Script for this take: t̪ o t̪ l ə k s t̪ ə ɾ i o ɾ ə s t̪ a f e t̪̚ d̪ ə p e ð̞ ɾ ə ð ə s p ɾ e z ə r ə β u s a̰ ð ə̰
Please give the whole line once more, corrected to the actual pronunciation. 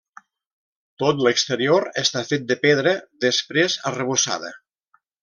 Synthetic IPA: t̪ o t̪ l ə k s t̪ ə ɾ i o ɾ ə s t̪ a f e t̪̚ d̪ ə p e ð̞ ɾ ə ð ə s p ɾ e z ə r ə β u s a̰ ð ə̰